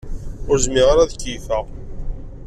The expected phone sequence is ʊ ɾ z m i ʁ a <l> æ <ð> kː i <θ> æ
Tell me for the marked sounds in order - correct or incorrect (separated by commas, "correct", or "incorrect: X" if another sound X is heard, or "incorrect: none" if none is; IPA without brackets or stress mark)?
incorrect: ɾ, correct, correct